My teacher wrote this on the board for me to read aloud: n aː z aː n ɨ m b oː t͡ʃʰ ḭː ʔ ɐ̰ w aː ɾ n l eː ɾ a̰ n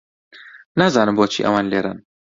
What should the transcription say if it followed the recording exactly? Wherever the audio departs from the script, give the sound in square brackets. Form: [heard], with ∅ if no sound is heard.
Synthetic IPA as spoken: n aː z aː n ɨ m b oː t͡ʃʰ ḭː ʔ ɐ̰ w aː [∅] n l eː ɾ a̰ n